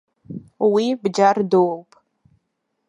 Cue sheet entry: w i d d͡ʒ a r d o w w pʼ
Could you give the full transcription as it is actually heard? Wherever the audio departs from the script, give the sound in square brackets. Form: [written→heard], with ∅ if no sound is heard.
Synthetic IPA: w i [d→b] d͡ʒ a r d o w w pʼ